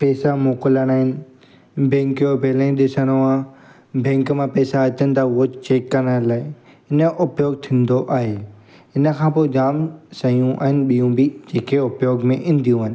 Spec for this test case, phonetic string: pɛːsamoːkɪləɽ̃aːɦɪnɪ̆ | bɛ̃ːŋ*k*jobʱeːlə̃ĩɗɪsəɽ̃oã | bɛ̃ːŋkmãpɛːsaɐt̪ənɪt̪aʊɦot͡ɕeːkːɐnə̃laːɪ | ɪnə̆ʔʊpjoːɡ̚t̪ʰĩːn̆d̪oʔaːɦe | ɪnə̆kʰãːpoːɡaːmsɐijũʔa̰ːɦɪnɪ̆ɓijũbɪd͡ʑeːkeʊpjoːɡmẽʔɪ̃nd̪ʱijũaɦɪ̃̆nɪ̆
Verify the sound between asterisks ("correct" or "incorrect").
correct